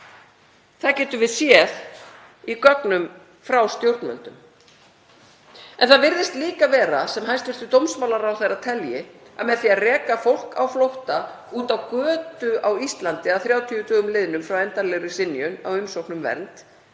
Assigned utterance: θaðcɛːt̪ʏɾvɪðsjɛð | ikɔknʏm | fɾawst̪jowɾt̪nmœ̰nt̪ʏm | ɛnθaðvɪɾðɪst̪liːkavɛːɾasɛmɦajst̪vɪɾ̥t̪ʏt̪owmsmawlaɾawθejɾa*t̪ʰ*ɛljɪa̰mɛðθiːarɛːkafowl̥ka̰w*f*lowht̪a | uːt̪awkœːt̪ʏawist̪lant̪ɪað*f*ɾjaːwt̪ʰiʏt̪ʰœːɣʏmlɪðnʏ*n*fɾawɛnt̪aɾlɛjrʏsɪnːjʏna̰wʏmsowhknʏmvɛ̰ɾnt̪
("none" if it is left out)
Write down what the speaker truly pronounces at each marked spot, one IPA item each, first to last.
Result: t̪ʰ, f, θ, m

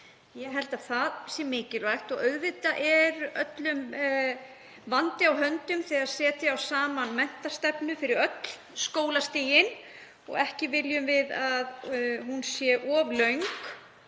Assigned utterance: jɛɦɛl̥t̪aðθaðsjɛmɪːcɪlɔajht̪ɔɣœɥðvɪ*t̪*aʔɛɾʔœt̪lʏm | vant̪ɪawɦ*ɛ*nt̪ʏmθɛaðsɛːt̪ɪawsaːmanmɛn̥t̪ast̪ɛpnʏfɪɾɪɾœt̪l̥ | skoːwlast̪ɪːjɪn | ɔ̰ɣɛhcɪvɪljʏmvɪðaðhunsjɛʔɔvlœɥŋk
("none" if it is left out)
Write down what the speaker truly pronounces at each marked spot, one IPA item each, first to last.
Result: t̪, œ

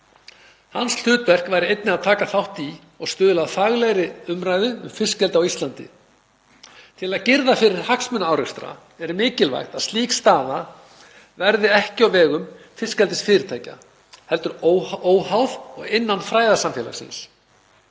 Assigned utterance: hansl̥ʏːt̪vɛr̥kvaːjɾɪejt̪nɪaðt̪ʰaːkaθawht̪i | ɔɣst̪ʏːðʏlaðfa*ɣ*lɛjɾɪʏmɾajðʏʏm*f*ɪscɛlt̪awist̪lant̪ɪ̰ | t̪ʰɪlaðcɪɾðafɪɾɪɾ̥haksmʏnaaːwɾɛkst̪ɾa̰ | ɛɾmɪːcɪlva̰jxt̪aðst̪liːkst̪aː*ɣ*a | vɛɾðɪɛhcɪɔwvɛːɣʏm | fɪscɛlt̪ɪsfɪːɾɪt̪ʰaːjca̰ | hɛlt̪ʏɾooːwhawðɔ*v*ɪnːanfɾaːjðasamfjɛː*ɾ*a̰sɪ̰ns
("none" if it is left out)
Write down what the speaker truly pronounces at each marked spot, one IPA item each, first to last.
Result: ɣ, f, ð, ɣ, l

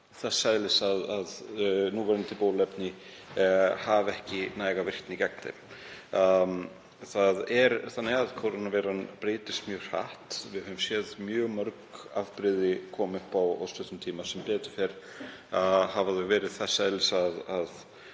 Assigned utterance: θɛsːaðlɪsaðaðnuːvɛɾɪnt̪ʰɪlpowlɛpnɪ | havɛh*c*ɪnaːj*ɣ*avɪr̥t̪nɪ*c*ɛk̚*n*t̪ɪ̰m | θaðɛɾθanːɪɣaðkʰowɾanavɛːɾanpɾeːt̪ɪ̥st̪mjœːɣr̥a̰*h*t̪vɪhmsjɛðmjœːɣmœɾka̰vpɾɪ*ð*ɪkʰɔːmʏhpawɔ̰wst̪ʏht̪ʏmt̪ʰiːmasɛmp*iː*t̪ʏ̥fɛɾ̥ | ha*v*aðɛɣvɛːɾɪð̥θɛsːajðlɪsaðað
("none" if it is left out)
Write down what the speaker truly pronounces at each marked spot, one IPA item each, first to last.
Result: c, ɣ, c, n, h, ð, ɛː, v

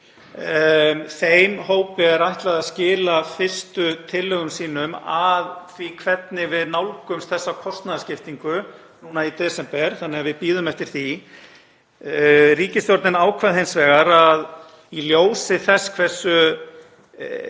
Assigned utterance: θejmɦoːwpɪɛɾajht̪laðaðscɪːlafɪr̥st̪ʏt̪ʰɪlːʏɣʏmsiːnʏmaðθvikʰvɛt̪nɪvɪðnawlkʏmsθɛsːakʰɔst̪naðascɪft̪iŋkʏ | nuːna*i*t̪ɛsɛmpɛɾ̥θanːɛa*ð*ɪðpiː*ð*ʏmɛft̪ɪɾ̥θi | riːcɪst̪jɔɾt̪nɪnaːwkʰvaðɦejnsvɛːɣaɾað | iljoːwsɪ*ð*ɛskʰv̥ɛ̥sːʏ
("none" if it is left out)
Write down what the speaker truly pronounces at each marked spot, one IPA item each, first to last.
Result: i, v, ð, θ

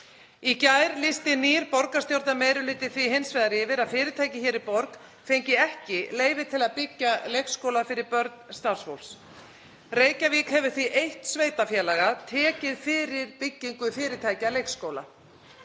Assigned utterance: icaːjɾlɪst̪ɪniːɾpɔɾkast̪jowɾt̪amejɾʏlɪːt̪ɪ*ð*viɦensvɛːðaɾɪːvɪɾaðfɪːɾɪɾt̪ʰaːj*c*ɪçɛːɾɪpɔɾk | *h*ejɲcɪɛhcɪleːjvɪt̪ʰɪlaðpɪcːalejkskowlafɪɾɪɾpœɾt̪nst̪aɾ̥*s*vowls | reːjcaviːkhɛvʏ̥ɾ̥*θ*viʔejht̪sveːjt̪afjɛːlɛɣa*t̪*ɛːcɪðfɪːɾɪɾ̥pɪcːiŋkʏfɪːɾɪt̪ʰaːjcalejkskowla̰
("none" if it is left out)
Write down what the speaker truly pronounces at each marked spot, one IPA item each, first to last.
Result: θ, c, f, s, θ, t̪ʰ

